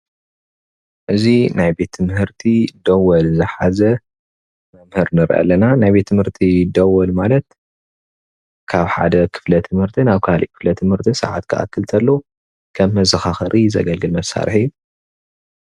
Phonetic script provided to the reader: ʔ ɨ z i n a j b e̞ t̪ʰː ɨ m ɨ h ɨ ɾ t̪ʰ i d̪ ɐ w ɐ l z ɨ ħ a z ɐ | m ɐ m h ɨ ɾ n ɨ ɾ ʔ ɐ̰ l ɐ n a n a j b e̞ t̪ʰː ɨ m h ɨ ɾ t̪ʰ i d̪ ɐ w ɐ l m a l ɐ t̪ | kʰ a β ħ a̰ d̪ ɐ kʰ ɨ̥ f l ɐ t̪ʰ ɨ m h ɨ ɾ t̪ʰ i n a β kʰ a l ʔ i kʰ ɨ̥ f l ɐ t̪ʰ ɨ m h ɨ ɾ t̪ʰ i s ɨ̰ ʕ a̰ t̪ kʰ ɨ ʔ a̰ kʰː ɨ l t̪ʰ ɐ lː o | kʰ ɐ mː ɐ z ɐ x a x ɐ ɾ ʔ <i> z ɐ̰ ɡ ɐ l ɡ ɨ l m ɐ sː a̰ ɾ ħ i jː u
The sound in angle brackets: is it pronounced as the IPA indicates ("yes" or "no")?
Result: yes